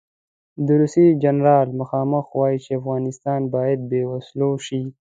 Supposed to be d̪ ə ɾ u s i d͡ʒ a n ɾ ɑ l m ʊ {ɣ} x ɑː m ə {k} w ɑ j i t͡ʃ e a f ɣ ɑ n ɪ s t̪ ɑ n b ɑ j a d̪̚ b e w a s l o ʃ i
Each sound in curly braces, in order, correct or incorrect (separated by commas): incorrect, incorrect